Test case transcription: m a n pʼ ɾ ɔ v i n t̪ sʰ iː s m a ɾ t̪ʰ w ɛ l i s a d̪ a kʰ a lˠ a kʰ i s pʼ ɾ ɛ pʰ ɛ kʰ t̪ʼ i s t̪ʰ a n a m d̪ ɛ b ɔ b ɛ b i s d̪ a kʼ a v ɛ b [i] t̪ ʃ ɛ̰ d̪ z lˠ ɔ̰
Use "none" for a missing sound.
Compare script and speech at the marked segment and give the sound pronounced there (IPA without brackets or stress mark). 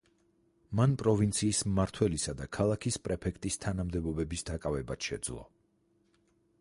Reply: a